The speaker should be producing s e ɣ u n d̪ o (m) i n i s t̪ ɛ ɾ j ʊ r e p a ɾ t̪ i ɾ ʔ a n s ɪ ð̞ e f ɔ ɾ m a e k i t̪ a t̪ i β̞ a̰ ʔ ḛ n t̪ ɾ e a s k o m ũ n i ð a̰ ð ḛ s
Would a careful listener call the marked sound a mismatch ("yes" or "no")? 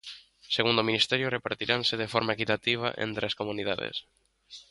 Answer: no